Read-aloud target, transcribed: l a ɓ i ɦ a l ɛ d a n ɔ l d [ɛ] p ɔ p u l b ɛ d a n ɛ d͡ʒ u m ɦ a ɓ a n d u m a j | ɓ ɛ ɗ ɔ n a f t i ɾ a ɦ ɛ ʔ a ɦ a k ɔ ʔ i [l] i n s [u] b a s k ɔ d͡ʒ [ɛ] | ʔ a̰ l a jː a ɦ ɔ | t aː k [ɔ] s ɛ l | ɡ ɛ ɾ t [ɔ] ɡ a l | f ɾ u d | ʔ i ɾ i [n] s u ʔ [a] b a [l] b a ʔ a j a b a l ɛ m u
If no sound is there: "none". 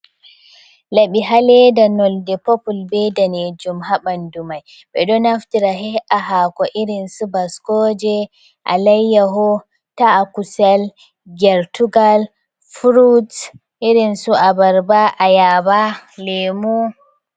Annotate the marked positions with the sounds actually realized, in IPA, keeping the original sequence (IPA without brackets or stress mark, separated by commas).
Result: ɛ, ɾ, u, ɛ, u, u, n, a, ɾ